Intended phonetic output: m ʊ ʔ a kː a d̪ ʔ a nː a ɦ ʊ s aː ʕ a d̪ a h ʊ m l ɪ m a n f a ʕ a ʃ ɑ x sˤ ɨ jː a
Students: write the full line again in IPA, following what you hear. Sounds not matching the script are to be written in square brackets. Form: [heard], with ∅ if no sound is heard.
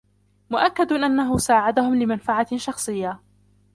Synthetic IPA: m ʊ ʔ a kː a d̪ ʔ a nː a ɦ ʊ s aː ʕ a d̪ a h ʊ m l ɪ m a n f a ʕ a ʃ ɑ x sˤ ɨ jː a